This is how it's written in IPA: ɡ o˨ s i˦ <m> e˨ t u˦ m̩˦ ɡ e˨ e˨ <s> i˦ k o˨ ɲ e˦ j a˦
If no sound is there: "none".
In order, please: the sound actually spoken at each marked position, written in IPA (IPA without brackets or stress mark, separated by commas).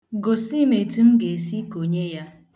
m, s